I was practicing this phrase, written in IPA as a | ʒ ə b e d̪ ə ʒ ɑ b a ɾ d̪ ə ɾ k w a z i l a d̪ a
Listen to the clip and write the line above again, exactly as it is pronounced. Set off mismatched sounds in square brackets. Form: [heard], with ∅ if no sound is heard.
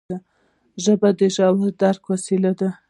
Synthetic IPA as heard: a | ʒ ə b [a] d̪ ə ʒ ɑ [w] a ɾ d̪ [a] ɾ k w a [s] i l a d̪ a